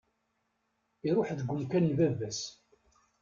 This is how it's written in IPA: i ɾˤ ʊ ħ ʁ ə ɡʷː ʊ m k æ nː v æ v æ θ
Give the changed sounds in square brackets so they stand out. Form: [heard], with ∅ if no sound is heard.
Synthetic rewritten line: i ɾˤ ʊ ħ [ð] ə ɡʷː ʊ m k æ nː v æ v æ [s]

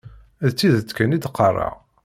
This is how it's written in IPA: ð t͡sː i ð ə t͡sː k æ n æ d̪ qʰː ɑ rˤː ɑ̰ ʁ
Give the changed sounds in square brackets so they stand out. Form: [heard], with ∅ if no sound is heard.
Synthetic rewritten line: ð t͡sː i ð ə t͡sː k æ n [i] d̪ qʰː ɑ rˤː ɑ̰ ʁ

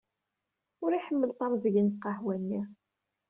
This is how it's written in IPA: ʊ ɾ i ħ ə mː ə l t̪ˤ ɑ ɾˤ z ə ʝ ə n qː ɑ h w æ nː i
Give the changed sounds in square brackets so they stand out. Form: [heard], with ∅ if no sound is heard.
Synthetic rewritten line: ʊ ɾ i ħ ə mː ə l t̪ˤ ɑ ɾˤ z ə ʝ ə n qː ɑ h w æ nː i

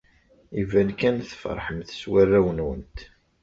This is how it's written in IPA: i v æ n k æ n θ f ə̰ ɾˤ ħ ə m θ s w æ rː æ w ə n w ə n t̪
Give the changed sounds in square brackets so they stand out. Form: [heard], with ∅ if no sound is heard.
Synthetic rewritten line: i v æ n k æ n θ f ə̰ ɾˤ ħ ə m θ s w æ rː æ w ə n w ə n t̪

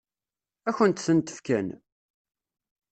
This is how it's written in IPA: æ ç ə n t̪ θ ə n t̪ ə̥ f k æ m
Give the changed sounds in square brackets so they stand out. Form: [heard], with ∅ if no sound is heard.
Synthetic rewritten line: æ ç ə n t̪ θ ə n t̪ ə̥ f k æ [n]

